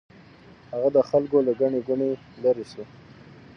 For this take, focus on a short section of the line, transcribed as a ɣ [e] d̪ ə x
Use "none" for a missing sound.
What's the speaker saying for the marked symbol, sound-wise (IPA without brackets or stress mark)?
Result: a